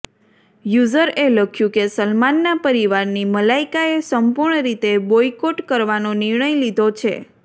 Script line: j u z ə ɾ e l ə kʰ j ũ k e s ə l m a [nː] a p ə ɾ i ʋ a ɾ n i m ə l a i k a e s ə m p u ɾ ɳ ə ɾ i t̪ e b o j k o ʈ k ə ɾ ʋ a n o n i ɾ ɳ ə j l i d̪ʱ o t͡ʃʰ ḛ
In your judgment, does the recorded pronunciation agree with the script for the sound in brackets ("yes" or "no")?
yes